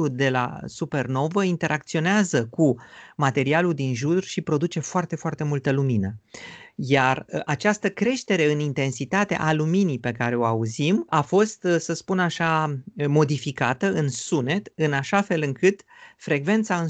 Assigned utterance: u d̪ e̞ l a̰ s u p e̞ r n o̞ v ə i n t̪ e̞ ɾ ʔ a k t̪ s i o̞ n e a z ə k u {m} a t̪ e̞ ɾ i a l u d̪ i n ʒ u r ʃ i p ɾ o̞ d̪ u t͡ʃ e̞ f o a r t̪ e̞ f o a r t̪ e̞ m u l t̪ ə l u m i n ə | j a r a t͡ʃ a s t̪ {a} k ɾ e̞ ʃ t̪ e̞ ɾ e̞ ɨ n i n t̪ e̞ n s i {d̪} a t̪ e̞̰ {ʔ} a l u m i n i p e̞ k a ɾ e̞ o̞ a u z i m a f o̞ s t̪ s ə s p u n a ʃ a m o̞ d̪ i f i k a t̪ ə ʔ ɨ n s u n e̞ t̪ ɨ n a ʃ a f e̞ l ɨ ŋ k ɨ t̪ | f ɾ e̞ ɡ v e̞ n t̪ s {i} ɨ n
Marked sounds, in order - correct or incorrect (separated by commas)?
correct, incorrect, incorrect, correct, incorrect